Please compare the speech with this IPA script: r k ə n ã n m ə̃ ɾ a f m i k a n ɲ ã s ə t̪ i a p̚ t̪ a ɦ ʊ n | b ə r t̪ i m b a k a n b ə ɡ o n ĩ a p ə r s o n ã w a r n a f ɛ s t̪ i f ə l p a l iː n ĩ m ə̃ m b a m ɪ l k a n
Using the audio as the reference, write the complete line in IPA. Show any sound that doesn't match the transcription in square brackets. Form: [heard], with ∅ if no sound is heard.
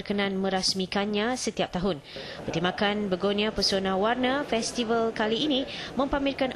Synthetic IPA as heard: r k ə n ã n m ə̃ ɾ a [s] m i k a n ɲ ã s ə t̪ i a p̚ t̪ a ɦ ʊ n | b ə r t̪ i m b a k a n b ə ɡ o n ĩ a p ə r s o n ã w a r n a f ɛ s t̪ i [v] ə l [k] a l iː n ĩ m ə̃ m [p] a m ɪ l k a n

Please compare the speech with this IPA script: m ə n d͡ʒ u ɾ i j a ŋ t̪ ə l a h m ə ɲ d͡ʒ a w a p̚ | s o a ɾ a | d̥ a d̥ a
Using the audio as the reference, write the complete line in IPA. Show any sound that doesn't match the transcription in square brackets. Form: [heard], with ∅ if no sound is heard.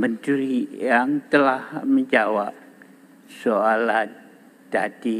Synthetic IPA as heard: m ə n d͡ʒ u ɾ i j a ŋ t̪ ə l a h m ə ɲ d͡ʒ a w a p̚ | s o a [l] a | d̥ a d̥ [i]

